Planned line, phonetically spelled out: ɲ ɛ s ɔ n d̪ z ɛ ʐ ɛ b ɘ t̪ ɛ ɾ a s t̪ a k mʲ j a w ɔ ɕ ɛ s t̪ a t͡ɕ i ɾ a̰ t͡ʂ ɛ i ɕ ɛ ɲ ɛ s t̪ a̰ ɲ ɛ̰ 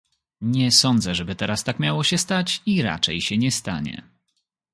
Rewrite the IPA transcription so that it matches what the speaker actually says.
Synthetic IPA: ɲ ɛ s ɔ n d̪ z ɛ ʐ ɛ b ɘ t̪ ɛ ɾ a s t̪ a k mʲ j a w ɔ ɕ ɛ s t̪ a t͡ɕ i ɾ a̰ t͡ʂ ɛ j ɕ ɛ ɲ ɛ s t̪ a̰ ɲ ɛ̰

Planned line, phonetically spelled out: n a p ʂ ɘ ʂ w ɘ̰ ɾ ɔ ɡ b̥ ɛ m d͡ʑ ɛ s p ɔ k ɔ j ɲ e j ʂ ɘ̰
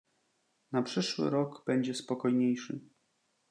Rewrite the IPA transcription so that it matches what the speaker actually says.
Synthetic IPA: n a p ʂ ɘ ʂ w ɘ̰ ɾ ɔ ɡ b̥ ɛ ɲ d͡ʑ ɛ s p ɔ k ɔ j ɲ e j ʂ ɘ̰

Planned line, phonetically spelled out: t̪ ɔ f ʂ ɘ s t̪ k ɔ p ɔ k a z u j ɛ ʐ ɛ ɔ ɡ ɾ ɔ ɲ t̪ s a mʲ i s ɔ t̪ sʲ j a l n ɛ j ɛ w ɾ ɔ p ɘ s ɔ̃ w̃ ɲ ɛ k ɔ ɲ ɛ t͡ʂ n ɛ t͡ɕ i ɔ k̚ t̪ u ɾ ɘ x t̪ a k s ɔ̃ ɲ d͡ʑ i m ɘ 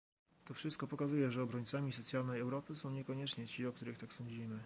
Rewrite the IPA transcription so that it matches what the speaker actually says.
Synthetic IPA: t̪ ɔ f ʂ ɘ s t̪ k ɔ p ɔ k a z u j ɛ ʐ ɛ ɔ b ɾ ɔ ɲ t̪ s a mʲ i s ɔ t̪ sʲ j a l n ɛ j ɛ w ɾ ɔ p ɘ s ɔ̃ w̃ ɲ ɛ k ɔ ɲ ɛ t͡ʂ ɲ ɛ t͡ɕ i ɔ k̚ t̪ u ɾ ɘ x t̪ a k s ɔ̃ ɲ d͡ʑ i m ɘ

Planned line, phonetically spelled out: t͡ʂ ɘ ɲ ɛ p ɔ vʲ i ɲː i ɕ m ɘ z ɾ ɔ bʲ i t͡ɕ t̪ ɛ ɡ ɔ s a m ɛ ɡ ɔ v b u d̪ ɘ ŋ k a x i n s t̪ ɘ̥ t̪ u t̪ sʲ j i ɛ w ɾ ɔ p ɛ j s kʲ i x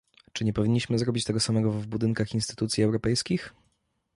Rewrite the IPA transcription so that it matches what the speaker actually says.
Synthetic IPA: t͡ʂ ɘ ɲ ɛ p ɔ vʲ i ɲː i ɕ m ɘ z ɾ ɔ bʲ i t͡ɕ t̪ ɛ ɡ ɔ s a m ɛ ɡ ɔ v b u d̪ ɘ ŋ k a x i n s t̪ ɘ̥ t̪ u t̪ sʲ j i ɛ w ɾ ɔ p ɛ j s kʲ i x

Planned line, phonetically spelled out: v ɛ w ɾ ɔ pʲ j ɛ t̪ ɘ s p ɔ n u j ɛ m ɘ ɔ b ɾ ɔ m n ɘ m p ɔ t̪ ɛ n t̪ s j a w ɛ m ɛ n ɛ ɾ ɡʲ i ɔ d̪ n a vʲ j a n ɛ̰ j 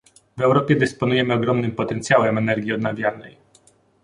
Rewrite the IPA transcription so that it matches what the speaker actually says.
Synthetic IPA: v ɛ w ɾ ɔ pʲ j ɛ d̪ ɘ s p ɔ n u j ɛ m ɘ ɔ ɡ ɾ ɔ m n ɘ m p ɔ t̪ ɛ n t̪ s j a w ɛ m ɛ n ɛ ɾ ɡʲ i ɔ d̪ n a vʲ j a n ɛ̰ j

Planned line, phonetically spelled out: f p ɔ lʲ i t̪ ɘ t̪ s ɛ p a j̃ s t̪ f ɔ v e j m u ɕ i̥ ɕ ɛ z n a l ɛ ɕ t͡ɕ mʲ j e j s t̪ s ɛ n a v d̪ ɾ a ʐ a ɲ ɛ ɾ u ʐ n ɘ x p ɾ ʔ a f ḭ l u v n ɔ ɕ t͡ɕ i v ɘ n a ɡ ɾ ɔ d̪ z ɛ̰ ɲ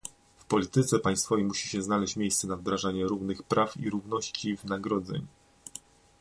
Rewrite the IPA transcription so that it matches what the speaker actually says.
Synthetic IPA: f p ɔ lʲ i t̪ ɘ t̪ s ɛ p a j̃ s t̪ f ɔ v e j m u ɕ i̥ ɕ ɛ z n a l ɛ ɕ t͡ɕ mʲ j e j s t̪ s ɛ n a v d̪ ɾ a ʐ a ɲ ɛ ɾ u v n ɘ x p ɾ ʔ a f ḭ ɾ u v n ɔ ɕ t͡ɕ i v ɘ n a ɡ ɾ ɔ d̪ z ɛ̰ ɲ

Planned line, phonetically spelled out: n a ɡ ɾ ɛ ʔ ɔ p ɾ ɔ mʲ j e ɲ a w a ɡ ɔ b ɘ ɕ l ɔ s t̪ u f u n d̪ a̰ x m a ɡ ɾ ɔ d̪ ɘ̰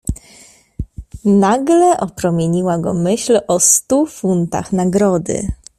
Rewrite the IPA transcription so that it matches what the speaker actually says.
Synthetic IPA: n a ɡ l ɛ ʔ ɔ p ɾ ɔ mʲ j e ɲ i w a ɡ ɔ m ɘ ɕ l ɔ s t̪ u f u n t̪ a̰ x n a ɡ ɾ ɔ d̪ ɘ̰

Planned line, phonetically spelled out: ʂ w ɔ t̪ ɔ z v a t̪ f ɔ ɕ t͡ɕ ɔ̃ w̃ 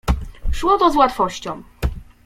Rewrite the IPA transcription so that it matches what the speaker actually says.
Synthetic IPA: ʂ w ɔ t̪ ɔ z w a t̪ f ɔ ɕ t͡ɕ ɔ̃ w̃

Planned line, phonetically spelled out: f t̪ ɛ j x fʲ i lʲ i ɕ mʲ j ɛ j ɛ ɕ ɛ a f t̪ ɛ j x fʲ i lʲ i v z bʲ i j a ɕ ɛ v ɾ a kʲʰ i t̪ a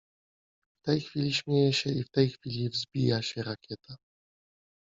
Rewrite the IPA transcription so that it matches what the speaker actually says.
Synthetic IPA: f t̪ ɛ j x fʲ i lʲ i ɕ mʲ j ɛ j ɛ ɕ ɛ i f t̪ ɛ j x fʲ i lʲ i v z bʲ i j a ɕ ɛ ɾ a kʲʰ ɛ t̪ a

